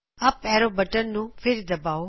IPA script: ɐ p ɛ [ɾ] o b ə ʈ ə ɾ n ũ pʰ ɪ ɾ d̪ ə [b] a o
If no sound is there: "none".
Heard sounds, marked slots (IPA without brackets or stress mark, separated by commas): ɾ, b